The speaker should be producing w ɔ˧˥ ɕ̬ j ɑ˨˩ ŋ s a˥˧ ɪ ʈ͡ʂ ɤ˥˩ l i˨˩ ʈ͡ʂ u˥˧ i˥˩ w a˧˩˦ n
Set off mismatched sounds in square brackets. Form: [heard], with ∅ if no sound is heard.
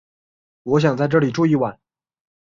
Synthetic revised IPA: w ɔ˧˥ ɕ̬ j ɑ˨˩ ŋ [t͡s] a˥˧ ɪ ʈ͡ʂ ɤ˥˩ l i˨˩ ʈ͡ʂ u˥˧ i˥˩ w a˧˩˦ n